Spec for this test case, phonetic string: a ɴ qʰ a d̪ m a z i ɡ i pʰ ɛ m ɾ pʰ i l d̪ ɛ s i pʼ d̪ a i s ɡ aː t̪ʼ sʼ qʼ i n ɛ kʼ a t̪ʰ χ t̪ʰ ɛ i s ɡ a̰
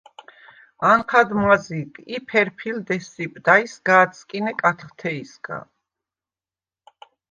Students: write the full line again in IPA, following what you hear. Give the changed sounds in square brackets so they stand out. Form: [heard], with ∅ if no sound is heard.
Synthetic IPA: a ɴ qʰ a d̪ m a z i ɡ i pʰ ɛ [∅] ɾ pʰ i l d̪ ɛ s i pʼ d̪ a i s ɡ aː [t̪] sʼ [kʼ] i n ɛ kʼ a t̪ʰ χ t̪ʰ ɛ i s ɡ a̰